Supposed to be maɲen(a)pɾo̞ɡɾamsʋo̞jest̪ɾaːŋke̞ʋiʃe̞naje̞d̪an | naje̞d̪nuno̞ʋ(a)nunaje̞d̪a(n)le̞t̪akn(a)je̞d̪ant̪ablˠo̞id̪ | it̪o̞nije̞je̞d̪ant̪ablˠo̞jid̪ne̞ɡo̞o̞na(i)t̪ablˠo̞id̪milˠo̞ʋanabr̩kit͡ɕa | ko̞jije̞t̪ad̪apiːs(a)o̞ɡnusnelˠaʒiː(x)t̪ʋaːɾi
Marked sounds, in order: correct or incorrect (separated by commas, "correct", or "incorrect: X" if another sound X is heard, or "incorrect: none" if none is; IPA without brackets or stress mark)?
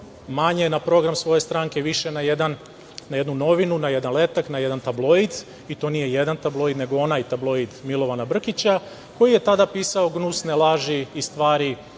correct, incorrect: i, correct, correct, incorrect: j, correct, incorrect: s